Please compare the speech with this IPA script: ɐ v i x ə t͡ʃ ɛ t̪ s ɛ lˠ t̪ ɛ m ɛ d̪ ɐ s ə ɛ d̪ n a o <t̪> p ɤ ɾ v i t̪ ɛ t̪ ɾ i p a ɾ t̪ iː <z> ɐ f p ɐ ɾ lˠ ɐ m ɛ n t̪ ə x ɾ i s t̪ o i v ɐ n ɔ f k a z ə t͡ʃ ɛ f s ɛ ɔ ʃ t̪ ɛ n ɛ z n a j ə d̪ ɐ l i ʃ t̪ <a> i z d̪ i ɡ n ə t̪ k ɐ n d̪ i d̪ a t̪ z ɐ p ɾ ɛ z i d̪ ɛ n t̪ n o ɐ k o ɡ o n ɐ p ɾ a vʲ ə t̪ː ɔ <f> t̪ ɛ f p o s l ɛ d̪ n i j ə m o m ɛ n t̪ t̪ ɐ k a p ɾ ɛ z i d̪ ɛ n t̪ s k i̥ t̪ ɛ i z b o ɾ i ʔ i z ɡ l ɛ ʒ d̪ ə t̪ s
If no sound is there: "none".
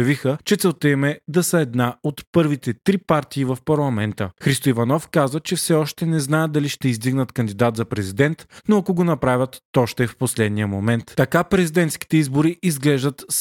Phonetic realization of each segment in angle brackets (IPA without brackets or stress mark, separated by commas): t̪, v, ɛ, ʃ